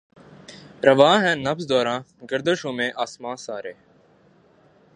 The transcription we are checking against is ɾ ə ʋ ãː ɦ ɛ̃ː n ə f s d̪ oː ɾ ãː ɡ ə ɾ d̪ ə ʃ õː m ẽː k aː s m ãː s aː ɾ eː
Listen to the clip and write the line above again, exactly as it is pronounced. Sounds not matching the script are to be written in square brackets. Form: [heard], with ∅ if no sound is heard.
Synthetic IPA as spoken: ɾ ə ʋ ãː ɦ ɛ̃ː n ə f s d̪ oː ɾ ãː ɡ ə ɾ d̪ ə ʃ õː m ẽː [ʔ] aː s m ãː s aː ɾ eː